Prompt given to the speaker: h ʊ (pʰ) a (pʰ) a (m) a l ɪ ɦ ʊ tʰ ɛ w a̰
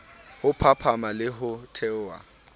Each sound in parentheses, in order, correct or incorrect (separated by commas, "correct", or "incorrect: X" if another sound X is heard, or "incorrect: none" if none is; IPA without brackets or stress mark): correct, correct, correct